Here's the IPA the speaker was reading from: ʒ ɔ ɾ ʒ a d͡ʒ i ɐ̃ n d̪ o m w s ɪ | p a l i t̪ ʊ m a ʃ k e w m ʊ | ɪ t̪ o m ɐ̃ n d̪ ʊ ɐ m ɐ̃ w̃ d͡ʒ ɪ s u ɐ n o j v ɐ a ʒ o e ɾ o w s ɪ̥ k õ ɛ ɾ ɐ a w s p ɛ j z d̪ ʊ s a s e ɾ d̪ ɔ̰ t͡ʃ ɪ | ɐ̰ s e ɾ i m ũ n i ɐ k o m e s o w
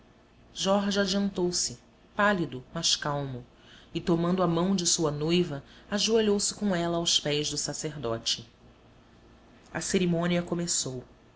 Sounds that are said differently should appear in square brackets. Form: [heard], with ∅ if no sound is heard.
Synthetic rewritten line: ʒ ɔ ɾ ʒ a d͡ʒ i ɐ̃ n [t̪] o [∅] w s ɪ | p a l i [d̪] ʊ m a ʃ k [a] w m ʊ | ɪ t̪ o m ɐ̃ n d̪ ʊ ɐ m ɐ̃ w̃ d͡ʒ ɪ s u ɐ n o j v ɐ a ʒ [u] e [ʎ] o w s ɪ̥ k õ ɛ [l] ɐ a w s p ɛ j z d̪ ʊ s a s e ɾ d̪ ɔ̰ t͡ʃ ɪ | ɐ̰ s e ɾ i m [õ] n i ɐ k o m e s o w

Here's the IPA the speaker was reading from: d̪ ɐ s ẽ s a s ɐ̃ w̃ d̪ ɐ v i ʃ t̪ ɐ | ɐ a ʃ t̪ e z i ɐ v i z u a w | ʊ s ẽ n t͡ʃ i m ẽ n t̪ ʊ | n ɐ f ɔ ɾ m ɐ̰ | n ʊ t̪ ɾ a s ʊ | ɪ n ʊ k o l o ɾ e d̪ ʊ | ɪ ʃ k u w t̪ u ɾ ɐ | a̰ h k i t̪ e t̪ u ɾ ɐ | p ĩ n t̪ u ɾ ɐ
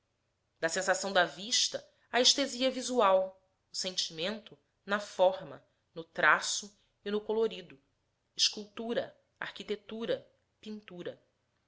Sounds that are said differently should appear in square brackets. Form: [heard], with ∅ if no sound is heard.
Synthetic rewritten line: d̪ ɐ s ẽ s a s ɐ̃ w̃ d̪ ɐ v i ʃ t̪ ɐ | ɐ [e] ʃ t̪ e z i ɐ v i z u a w | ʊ s ẽ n t͡ʃ i m ẽ n t̪ ʊ | n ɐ f ɔ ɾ m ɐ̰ | n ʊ t̪ ɾ a s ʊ | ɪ n ʊ k o l o ɾ [i] d̪ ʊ | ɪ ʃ k u w t̪ u ɾ ɐ | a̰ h k i t̪ e t̪ u ɾ ɐ | p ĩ n t̪ u ɾ ɐ

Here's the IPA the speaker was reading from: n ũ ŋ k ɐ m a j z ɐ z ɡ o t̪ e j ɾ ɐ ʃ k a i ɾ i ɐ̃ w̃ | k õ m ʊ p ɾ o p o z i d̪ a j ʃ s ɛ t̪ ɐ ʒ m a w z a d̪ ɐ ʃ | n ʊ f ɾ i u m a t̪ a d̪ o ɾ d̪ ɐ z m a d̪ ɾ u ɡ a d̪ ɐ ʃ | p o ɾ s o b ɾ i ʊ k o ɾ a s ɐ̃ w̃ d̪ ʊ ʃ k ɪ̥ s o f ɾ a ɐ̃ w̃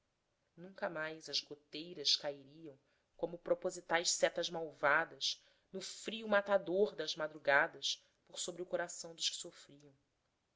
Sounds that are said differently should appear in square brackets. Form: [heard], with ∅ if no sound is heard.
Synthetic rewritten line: n ũ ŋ k ɐ m a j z ɐ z ɡ o t̪ e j ɾ ɐ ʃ k a i ɾ i ɐ̃ w̃ | k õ m ʊ p ɾ o p o z i [t̪] a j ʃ s ɛ t̪ ɐ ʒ m a w [v] a d̪ ɐ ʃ | n ʊ f ɾ i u m a t̪ a d̪ o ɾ d̪ ɐ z m a d̪ ɾ u ɡ a d̪ ɐ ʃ | p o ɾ s o b ɾ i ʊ k o ɾ a s ɐ̃ w̃ d̪ ʊ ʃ k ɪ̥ s o f ɾ [i] ɐ̃ w̃

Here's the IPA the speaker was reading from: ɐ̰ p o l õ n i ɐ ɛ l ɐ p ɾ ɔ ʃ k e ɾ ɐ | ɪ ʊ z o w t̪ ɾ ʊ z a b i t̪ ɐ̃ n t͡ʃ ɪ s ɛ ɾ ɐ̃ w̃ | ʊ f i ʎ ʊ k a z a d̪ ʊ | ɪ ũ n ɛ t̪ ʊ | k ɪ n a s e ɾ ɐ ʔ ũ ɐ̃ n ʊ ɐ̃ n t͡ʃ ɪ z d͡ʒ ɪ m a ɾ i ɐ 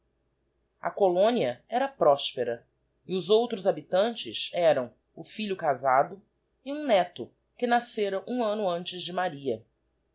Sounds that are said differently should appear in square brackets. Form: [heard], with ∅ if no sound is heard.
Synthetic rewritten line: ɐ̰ [k] o l õ n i ɐ ɛ [ɾ] ɐ p ɾ ɔ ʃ [p] e ɾ ɐ | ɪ ʊ z o w t̪ ɾ ʊ z a b i t̪ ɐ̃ n t͡ʃ ɪ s ɛ ɾ ɐ̃ w̃ | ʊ f i ʎ ʊ k a z a d̪ ʊ | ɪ ũ n ɛ t̪ ʊ | k ɪ n a s e ɾ ɐ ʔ ũ ɐ̃ n ʊ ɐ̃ n t͡ʃ ɪ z d͡ʒ ɪ m a ɾ i ɐ

